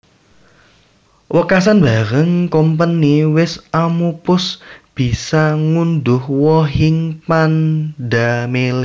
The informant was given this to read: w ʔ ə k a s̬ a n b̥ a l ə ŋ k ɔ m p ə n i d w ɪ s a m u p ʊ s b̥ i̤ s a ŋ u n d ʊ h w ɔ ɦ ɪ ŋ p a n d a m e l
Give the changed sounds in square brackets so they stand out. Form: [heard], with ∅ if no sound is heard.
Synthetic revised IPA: w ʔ ə k a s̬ a n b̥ a [ɾ] ə ŋ k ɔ m p ə n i [∅] w ɪ s a m u p ʊ s b̥ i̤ s a ŋ u n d ʊ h w ɔ ɦ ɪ ŋ p a n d a m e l